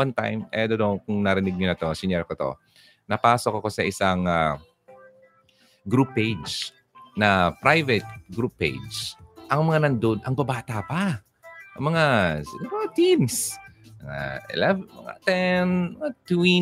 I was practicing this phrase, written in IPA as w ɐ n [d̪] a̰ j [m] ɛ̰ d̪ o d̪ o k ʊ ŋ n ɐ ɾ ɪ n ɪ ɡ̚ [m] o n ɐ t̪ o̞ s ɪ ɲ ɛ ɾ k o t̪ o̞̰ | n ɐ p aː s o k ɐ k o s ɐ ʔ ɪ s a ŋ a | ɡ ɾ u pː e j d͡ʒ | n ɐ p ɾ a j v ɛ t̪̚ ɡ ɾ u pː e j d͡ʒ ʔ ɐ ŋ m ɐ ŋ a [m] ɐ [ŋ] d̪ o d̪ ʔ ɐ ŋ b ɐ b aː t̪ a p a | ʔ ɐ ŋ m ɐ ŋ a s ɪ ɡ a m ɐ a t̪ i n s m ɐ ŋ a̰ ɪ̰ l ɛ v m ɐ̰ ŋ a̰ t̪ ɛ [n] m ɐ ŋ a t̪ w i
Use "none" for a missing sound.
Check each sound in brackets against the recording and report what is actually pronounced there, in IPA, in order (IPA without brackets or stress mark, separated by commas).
t̪, m, ɲ, n, n, n